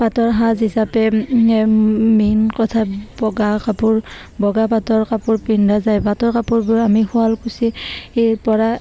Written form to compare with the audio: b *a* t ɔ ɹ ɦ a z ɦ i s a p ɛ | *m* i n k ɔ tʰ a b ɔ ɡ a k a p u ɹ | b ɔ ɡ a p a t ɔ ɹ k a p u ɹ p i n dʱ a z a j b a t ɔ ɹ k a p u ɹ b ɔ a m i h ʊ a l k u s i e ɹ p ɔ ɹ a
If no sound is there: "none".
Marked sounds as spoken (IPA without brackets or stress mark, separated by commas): a, m